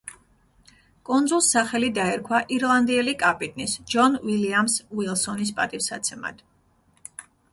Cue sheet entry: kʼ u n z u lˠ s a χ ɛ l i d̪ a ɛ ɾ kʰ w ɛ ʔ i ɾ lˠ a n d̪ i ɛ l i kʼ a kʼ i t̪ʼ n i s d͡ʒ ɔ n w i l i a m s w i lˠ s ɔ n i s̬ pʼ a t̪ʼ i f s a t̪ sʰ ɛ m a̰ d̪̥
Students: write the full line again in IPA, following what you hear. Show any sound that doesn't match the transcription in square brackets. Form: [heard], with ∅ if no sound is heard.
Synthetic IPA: kʼ u n z u lˠ s a χ ɛ l i d̪ a ɛ ɾ kʰ w [a] ʔ i ɾ lˠ a n d̪ i ɛ l i kʼ a [pʼ] i t̪ʼ n i s d͡ʒ ɔ n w i l i a m s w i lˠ s ɔ n i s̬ pʼ a t̪ʼ i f s a t̪ sʰ ɛ m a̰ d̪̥

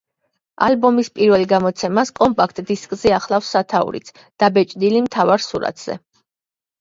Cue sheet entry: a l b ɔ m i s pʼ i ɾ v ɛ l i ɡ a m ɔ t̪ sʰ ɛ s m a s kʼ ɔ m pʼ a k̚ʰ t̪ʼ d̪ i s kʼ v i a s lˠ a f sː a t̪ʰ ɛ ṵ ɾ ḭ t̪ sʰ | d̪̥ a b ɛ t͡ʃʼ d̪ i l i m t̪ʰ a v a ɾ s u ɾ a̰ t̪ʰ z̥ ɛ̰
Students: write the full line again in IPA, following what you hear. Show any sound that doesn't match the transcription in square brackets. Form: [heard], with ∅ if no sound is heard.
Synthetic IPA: a l b ɔ m i s pʼ i ɾ v ɛ l i ɡ a m ɔ t̪ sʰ ɛ [∅] m a s kʼ ɔ m pʼ a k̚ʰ t̪ʼ d̪ i s kʼ [z] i a [χ] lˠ a f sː a t̪ʰ [a] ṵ ɾ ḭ t̪ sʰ | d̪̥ a b ɛ t͡ʃʼ d̪ i l i m t̪ʰ a v a ɾ s u ɾ a̰ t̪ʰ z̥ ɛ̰

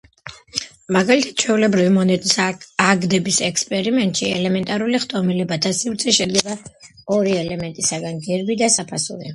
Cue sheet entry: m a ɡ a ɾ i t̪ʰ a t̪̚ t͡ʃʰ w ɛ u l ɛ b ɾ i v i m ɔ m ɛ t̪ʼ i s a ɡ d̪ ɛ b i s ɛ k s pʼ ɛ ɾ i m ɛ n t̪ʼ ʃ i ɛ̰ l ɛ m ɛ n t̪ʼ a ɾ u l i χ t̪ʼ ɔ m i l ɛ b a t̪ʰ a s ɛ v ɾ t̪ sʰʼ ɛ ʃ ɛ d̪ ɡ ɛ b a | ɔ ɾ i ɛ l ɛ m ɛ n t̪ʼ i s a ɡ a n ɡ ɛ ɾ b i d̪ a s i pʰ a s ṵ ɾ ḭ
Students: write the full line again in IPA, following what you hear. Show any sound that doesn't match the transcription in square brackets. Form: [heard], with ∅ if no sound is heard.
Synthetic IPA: m a ɡ a [l] i t̪ʰ a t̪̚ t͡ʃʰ w ɛ u l ɛ b ɾ i v i m ɔ [n] ɛ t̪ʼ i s a ɡ d̪ ɛ b i s ɛ k s pʼ ɛ ɾ i m ɛ n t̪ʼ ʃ i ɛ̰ l ɛ m ɛ n t̪ʼ a ɾ u l i χ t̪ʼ ɔ m i l ɛ b a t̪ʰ a s [i] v ɾ t̪ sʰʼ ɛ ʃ ɛ d̪ ɡ ɛ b a | ɔ ɾ i ɛ l ɛ m ɛ n t̪ʼ i s a ɡ a n ɡ ɛ ɾ b i d̪ a s [a] pʰ a s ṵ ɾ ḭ

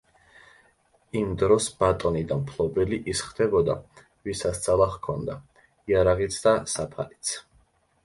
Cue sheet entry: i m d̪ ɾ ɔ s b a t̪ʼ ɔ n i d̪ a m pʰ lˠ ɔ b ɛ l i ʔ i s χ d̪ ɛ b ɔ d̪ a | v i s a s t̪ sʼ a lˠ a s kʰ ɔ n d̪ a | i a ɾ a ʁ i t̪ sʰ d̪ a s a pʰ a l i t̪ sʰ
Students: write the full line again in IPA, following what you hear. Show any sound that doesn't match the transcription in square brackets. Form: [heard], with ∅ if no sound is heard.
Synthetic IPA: i m d̪ ɾ ɔ s b a t̪ʼ ɔ n i d̪ a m pʰ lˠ ɔ b ɛ l i ʔ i s χ d̪ ɛ b ɔ d̪ a | v i s a s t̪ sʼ a lˠ a [χ] kʰ ɔ n d̪ a | i a ɾ a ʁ i t̪ sʰ d̪ a s a pʰ a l i t̪ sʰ

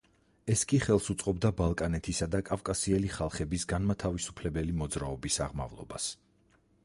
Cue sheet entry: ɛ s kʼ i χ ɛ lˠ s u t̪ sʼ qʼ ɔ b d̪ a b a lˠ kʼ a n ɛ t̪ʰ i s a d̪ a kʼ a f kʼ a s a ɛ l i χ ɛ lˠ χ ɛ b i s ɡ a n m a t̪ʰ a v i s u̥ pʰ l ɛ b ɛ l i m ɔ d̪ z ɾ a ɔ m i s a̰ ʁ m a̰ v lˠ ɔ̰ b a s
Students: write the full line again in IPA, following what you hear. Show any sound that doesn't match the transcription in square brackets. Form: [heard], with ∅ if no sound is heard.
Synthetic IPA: ɛ s kʼ i χ ɛ lˠ s u t̪ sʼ qʼ ɔ b d̪ a b a lˠ kʼ a n ɛ t̪ʰ i s a d̪ a kʼ a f kʼ a s [i] ɛ l i χ [a] lˠ χ ɛ b i s ɡ a n m a t̪ʰ a v i s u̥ pʰ l ɛ b ɛ l i m ɔ d̪ z ɾ a ɔ [b] i s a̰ ʁ m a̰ v lˠ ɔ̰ b a s

